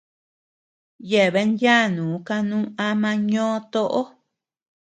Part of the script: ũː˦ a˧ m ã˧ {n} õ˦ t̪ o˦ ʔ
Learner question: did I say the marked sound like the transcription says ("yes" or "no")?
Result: no